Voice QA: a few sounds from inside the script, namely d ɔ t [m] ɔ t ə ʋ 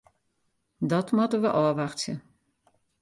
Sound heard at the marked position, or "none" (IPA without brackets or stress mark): m